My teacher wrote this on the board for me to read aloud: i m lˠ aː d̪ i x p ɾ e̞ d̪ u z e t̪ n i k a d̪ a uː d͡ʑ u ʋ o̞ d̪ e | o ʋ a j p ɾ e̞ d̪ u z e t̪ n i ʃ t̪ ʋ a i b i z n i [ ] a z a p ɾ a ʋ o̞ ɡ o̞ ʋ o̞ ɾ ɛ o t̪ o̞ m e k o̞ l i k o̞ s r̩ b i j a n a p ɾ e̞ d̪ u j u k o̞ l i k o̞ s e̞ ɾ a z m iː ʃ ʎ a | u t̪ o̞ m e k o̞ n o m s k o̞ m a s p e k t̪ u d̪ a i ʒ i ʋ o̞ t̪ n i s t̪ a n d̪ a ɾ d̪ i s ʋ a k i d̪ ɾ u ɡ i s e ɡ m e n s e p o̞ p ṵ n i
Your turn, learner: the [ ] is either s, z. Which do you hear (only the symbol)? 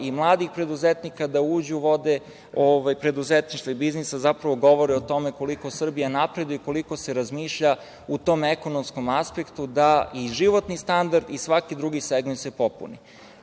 s